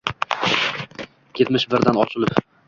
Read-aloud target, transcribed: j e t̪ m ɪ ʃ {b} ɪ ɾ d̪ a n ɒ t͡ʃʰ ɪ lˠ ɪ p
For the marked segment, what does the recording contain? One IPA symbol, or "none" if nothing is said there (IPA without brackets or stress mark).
b